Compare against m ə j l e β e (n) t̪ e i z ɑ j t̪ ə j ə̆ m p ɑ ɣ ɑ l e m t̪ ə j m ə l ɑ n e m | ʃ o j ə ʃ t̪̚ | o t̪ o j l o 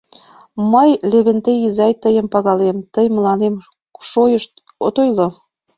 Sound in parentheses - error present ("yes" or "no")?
no